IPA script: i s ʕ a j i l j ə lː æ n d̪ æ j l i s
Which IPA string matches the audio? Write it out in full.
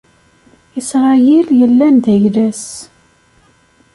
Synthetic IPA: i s ʁ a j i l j ə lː æ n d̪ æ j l æ s